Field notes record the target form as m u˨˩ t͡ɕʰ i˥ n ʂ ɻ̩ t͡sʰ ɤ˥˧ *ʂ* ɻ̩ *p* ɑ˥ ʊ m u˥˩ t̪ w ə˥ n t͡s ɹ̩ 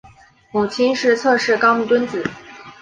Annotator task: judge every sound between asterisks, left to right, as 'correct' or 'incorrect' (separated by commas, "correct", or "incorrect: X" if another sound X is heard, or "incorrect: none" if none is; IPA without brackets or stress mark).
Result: correct, incorrect: k